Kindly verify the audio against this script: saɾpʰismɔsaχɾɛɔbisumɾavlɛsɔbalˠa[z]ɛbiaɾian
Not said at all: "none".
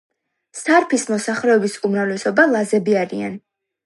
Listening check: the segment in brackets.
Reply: z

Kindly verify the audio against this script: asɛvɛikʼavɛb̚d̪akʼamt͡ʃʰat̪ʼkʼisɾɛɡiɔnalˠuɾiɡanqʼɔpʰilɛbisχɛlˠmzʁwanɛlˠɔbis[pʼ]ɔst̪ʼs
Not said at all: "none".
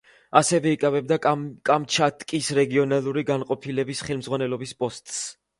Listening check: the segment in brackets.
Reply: pʼ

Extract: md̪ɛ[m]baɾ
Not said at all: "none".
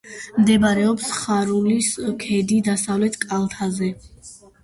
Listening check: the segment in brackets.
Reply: none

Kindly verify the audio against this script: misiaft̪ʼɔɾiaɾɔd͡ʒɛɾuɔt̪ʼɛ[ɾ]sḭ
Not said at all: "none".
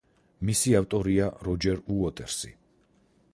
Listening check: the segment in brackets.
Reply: ɾ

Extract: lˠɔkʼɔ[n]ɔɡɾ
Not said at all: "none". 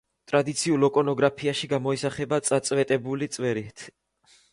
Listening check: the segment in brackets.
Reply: n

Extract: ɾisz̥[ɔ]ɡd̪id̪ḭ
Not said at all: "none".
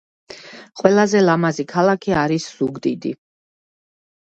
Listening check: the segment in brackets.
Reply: u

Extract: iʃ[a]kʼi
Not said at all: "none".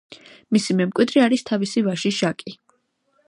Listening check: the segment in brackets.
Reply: a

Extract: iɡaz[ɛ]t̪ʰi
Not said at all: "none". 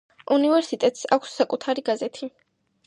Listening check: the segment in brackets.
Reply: ɛ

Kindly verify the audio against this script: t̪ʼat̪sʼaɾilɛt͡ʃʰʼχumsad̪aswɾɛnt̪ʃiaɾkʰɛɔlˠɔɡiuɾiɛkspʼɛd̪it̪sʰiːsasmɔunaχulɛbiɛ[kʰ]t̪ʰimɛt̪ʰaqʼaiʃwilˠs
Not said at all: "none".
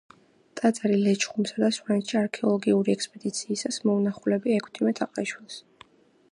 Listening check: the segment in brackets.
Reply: kʰ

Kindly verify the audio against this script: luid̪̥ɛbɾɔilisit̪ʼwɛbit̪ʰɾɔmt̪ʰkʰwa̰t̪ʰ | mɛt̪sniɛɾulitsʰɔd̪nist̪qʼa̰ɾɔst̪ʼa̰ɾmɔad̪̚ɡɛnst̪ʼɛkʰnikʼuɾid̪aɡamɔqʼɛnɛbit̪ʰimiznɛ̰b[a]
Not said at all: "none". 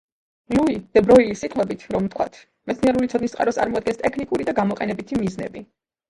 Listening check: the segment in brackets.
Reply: i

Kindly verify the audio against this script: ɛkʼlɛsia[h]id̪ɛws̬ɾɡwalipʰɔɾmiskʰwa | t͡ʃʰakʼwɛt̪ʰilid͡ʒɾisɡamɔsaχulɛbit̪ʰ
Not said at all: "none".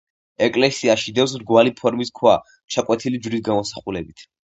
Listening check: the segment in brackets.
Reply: ʃ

